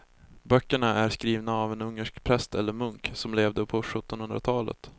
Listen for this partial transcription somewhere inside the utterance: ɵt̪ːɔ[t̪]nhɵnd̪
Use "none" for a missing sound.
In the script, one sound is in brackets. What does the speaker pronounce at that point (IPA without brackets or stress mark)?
none